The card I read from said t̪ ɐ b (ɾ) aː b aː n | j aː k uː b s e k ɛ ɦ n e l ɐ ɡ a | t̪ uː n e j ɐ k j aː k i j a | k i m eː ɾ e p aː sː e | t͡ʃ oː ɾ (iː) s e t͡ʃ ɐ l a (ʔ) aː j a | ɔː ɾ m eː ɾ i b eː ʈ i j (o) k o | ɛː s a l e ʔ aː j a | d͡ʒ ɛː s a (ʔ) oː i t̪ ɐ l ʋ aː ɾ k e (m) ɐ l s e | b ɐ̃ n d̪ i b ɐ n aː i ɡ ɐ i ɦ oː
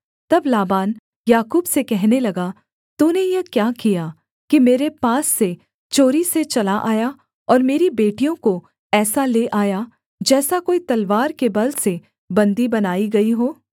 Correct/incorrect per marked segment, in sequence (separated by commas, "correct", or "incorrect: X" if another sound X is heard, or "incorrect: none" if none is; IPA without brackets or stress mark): incorrect: l, incorrect: i, correct, incorrect: õ, incorrect: k, incorrect: b